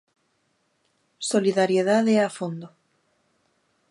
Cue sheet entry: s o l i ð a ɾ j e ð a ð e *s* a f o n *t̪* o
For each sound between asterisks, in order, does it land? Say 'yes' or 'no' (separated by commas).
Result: no, no